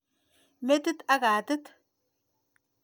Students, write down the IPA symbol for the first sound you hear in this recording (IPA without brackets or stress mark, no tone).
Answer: m